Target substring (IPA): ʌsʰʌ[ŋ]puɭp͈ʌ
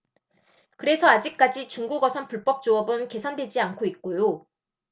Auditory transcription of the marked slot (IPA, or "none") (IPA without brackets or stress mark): n